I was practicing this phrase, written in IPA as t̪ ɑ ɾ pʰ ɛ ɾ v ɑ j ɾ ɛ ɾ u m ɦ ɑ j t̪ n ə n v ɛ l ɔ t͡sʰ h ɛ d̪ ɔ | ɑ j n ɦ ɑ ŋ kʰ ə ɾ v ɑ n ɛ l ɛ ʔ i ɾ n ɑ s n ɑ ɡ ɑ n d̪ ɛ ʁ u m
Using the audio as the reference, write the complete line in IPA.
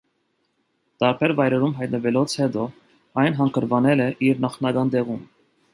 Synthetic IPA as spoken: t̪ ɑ ɾ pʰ ɛ ɾ v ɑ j ɾ ɛ ɾ u m ɦ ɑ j t̪ n ə v ɛ l ɔ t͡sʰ h ɛ d̪ ɔ | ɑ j n ɦ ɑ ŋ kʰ ə ɾ v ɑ n ɛ l ɛ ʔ i ɾ n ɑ χ n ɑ ɡ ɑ n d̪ ɛ ʁ u m